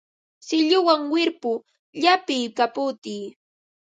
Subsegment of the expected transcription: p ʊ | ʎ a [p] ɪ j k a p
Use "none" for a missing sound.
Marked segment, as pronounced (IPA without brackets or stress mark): p